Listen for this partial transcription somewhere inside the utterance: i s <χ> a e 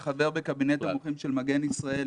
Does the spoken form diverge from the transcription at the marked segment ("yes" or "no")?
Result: yes